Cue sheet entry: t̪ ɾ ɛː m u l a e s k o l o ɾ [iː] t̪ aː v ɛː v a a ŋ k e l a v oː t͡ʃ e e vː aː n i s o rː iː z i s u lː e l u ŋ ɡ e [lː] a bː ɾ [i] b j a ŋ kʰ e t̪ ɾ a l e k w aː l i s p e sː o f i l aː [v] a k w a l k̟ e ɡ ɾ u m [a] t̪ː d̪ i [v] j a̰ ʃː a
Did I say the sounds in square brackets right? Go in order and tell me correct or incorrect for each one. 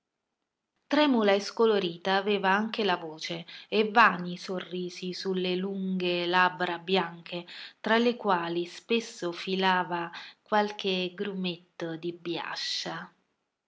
correct, incorrect: l, incorrect: a, correct, incorrect: e, incorrect: b

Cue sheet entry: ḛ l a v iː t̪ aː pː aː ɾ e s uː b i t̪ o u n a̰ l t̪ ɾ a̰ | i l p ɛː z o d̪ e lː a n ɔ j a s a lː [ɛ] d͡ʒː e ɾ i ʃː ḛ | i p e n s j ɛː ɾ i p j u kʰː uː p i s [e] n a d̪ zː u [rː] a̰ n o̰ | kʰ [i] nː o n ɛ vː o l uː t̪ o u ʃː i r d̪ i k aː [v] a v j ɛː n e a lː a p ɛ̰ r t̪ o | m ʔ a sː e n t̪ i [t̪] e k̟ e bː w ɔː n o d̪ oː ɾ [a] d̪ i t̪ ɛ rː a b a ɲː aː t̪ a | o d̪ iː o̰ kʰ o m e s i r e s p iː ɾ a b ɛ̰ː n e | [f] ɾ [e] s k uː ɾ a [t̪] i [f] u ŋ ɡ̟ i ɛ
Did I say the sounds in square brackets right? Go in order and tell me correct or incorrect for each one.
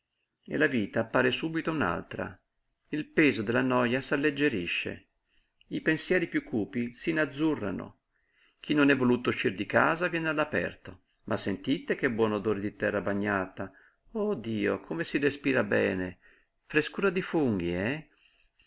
incorrect: e, incorrect: i, correct, correct, incorrect: z, correct, incorrect: e, correct, correct, incorrect: d̪, correct

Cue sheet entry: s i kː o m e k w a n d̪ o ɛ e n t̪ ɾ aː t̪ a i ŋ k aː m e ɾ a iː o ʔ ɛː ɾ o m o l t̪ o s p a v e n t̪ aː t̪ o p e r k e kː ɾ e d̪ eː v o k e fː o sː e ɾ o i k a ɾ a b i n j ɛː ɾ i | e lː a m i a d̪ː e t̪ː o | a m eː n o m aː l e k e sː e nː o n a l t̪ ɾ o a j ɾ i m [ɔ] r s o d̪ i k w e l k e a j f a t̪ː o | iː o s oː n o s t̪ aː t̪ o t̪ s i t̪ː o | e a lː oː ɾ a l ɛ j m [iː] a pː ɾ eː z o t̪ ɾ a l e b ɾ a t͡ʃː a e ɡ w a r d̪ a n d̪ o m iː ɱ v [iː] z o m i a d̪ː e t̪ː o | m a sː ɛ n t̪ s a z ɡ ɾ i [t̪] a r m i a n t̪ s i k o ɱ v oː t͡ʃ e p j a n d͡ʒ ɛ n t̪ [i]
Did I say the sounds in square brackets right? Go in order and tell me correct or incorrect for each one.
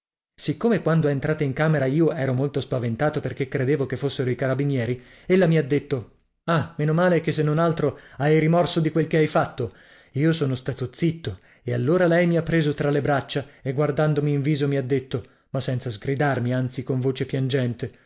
correct, incorrect: i, correct, incorrect: d̪, incorrect: e

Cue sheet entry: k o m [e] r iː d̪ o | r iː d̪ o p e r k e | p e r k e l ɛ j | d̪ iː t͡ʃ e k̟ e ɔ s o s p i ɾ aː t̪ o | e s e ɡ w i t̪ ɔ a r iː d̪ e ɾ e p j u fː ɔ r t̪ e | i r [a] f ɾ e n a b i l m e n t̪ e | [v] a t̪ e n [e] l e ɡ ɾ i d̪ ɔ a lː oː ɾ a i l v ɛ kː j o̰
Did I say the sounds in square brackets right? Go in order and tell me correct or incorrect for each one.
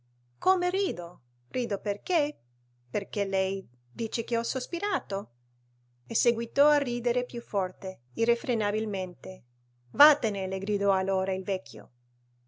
correct, incorrect: e, correct, correct

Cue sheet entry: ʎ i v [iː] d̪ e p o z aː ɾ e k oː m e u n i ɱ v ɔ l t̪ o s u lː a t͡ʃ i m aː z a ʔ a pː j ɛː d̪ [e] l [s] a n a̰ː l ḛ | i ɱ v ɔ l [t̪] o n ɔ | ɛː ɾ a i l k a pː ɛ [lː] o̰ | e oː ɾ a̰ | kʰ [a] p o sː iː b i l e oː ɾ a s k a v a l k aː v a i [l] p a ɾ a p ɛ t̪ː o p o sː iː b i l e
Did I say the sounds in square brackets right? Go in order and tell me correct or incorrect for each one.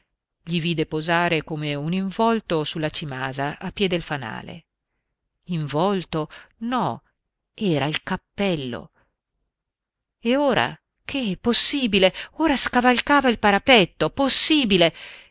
correct, correct, incorrect: f, correct, correct, incorrect: e, correct

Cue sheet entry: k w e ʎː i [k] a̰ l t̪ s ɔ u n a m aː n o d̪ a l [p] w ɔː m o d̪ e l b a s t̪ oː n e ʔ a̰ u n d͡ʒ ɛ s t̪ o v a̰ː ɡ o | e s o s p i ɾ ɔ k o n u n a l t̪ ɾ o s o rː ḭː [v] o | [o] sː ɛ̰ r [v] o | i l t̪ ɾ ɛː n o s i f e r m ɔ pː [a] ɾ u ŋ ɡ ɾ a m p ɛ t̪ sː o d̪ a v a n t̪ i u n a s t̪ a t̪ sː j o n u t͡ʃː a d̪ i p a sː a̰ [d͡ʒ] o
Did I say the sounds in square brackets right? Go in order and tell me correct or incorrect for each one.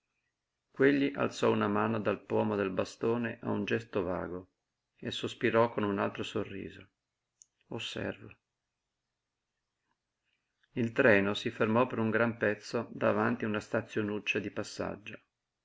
incorrect: ʔ, correct, incorrect: z, correct, correct, incorrect: e, incorrect: d͡ʒː

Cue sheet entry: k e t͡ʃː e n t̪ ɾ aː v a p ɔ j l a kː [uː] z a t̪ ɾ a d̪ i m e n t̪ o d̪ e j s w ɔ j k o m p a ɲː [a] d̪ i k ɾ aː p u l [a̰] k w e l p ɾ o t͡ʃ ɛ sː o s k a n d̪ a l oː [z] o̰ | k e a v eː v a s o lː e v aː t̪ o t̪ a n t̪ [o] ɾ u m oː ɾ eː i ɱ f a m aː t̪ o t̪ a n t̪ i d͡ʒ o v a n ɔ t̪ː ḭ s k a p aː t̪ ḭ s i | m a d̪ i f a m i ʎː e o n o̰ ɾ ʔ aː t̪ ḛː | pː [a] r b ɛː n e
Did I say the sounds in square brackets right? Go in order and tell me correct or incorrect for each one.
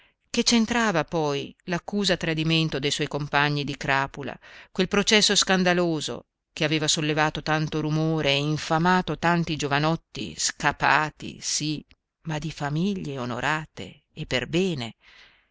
correct, incorrect: i, correct, correct, correct, incorrect: e

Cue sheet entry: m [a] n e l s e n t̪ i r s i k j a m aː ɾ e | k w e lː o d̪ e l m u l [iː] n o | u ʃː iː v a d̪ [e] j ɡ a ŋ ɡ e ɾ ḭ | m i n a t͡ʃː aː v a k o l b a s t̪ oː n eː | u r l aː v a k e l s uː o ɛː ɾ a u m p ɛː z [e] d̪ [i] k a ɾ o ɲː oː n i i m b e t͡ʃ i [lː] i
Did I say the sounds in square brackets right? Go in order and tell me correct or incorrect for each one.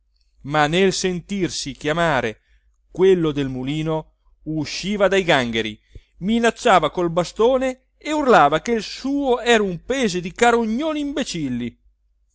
correct, correct, incorrect: a, correct, correct, correct

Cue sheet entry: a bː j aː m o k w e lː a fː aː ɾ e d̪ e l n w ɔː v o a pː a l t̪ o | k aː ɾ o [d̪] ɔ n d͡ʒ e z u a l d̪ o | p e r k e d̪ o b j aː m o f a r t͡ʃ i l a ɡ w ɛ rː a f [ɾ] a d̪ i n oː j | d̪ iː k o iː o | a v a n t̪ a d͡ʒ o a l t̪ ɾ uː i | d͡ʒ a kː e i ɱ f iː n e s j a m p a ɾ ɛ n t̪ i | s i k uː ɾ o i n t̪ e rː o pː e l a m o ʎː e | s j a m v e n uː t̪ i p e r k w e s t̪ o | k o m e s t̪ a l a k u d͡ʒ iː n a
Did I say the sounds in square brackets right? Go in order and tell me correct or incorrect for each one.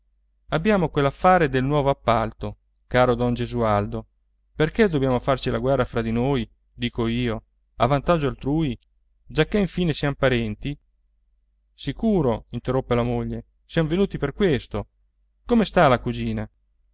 correct, correct

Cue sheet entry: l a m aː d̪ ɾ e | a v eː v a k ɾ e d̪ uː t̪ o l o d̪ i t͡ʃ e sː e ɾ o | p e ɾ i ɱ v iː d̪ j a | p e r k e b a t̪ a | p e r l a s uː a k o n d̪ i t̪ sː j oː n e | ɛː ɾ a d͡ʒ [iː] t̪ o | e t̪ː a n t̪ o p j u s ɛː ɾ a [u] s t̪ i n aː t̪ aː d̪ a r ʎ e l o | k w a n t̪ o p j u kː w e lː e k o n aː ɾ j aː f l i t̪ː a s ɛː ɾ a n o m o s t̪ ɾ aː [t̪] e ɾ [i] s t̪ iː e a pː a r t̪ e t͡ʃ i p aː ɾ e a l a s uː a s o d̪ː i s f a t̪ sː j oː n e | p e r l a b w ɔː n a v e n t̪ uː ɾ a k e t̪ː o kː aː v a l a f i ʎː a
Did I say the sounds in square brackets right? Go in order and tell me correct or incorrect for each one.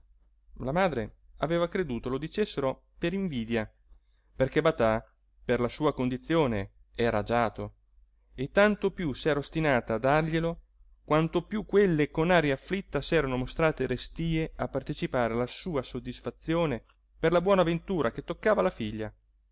incorrect: aː, incorrect: o, correct, incorrect: e

